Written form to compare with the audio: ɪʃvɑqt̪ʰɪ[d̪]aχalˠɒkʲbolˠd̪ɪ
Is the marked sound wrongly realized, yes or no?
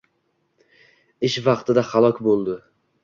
no